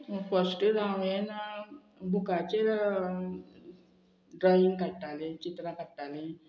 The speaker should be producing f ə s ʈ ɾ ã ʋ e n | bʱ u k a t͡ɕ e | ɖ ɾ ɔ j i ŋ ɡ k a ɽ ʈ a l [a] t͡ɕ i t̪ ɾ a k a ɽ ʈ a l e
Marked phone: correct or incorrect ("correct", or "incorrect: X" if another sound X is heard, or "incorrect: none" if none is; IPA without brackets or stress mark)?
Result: incorrect: e